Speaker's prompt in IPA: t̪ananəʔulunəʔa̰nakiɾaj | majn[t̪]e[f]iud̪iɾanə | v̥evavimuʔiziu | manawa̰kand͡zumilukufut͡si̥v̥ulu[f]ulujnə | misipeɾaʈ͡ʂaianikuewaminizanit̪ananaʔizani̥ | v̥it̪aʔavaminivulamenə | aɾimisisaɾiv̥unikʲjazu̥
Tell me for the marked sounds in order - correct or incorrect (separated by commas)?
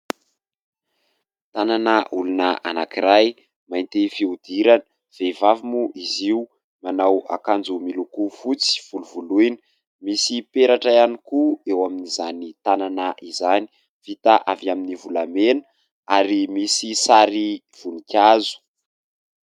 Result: correct, correct, incorrect